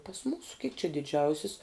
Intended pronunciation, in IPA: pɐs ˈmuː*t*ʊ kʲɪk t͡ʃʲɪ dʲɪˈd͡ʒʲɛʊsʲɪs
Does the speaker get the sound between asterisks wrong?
yes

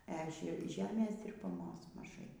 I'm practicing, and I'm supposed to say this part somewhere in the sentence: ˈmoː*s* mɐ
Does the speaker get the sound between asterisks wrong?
no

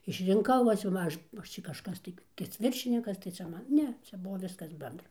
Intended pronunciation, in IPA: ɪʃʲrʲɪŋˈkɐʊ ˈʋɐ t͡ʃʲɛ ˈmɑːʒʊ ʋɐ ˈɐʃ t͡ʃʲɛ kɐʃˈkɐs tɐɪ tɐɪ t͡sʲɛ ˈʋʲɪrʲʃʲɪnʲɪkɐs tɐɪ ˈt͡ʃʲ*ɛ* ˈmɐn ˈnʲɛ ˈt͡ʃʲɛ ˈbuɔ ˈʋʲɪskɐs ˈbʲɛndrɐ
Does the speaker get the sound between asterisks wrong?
no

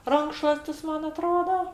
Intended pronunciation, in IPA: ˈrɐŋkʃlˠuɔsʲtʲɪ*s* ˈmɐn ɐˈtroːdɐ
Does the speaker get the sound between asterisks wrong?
no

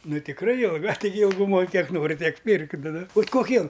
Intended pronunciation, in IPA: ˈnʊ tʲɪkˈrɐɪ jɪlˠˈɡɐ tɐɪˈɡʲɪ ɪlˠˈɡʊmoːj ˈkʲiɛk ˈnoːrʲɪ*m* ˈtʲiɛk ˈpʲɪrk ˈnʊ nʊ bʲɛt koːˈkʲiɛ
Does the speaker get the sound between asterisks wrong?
yes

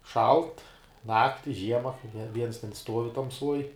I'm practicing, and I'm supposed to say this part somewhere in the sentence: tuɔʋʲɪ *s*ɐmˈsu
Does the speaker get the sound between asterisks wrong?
yes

